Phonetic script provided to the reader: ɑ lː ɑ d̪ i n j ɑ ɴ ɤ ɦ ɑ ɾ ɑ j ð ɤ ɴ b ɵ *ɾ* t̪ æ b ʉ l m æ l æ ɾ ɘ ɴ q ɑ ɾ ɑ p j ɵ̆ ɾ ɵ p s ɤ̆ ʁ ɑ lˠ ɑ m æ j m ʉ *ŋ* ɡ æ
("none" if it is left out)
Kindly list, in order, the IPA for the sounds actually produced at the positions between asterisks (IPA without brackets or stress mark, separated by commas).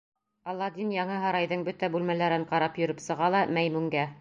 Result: none, ŋ